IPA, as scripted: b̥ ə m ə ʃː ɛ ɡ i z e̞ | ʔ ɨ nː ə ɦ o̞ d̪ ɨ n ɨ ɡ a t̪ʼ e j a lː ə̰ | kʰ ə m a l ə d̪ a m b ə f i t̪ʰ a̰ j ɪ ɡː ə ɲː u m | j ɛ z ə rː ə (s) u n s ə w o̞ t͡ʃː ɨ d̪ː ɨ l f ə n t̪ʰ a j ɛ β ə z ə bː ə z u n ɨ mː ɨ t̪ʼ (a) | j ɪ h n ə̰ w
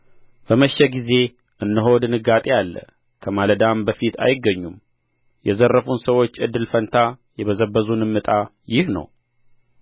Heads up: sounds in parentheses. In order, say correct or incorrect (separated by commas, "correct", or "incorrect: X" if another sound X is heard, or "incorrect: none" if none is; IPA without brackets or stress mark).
incorrect: f, correct